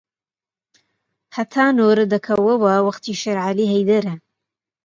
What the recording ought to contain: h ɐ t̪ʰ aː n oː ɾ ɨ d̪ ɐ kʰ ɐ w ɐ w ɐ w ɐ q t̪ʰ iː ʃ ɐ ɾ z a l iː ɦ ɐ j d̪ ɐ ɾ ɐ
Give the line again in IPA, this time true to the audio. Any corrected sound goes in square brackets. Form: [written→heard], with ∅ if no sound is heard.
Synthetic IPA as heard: h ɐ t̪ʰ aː n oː ɾ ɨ d̪ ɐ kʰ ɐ w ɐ w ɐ w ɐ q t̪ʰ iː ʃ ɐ ɾ [z→ʕ] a l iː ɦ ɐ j d̪ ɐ ɾ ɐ